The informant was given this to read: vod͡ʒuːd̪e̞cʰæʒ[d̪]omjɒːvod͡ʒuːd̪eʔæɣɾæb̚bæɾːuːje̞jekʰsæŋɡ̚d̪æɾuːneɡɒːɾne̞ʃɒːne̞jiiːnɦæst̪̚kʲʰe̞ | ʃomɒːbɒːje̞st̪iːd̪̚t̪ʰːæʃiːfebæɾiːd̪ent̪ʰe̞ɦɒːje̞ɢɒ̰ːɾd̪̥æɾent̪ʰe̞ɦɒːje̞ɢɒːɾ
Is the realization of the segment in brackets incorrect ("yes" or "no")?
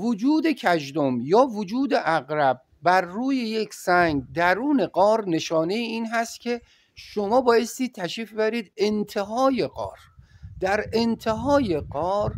no